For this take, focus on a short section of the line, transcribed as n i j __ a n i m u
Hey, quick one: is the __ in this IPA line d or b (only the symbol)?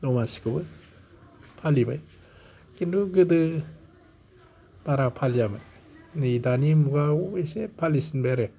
d